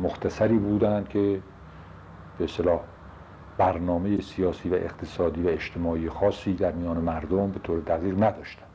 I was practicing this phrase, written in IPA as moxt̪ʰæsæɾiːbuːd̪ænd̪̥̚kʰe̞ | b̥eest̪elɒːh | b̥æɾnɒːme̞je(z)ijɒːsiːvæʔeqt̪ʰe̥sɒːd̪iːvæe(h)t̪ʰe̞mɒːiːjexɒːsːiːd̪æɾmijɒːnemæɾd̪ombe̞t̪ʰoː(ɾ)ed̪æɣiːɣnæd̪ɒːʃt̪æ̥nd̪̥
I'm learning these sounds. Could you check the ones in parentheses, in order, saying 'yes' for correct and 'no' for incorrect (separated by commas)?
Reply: no, no, yes